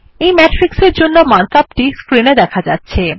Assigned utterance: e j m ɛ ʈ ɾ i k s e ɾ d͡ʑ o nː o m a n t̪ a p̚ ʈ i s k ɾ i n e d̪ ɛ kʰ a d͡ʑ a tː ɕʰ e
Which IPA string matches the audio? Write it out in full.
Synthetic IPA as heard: e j m ɛ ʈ ɾ i k s e ɾ d͡ʑ o nː o m a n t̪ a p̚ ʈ i s k ɾ i n e d̪ ɛ kʰ a d͡ʑ a tː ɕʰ e